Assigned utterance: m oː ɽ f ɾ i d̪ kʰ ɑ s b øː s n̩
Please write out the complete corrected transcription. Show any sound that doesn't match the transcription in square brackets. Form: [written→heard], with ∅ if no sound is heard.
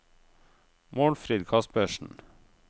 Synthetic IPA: m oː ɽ f ɾ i d̪ kʰ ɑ s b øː [s→ʃ] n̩